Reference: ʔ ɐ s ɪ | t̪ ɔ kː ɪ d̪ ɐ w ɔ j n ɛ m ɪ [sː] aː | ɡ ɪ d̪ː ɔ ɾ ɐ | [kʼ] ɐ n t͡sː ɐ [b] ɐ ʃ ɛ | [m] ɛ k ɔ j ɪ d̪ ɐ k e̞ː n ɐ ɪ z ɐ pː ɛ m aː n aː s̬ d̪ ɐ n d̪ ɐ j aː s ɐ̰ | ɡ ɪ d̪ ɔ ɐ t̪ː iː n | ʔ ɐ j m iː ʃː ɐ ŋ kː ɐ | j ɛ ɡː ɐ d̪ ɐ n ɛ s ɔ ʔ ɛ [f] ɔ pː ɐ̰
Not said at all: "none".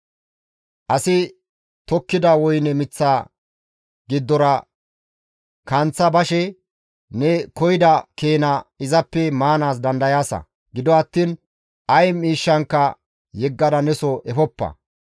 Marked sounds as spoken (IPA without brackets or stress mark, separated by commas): t͡sː, k, b, n, f